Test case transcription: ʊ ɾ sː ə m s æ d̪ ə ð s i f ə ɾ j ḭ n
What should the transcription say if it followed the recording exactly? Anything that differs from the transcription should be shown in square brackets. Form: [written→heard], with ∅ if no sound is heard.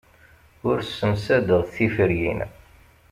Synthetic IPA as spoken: ʊ ɾ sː ə m s æ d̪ ə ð [s→θ] i f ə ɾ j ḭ n